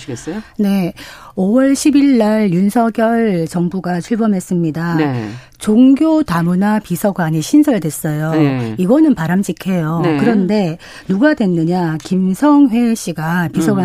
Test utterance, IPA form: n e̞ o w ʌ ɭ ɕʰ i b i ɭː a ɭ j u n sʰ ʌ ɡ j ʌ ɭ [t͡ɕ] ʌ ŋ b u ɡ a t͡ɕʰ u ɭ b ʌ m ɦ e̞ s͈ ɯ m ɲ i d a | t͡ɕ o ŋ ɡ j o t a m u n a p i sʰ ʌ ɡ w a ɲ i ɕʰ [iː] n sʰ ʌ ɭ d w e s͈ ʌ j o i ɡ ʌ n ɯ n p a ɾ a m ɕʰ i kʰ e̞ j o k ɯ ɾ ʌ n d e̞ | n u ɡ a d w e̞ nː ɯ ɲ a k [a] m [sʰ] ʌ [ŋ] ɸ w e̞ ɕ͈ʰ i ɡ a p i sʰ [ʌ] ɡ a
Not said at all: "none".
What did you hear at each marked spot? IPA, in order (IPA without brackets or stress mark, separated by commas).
t͡ɕ, i, i, sʰ, ŋ, ʌ